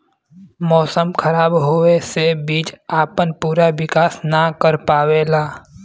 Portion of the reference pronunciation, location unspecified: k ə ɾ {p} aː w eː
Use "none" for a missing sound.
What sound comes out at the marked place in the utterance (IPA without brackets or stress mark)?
p